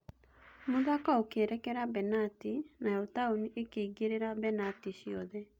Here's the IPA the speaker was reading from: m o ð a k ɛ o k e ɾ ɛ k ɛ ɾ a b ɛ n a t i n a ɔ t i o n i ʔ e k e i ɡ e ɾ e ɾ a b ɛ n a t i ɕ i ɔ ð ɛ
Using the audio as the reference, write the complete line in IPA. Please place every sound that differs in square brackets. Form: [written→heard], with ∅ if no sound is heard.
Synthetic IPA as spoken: m o ð a k [ɛ→a] o k e ɾ ɛ k ɛ ɾ a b ɛ n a t i n a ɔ t [i→a] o n i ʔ e k e i ɡ e ɾ e ɾ a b ɛ n a t i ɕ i ɔ ð ɛ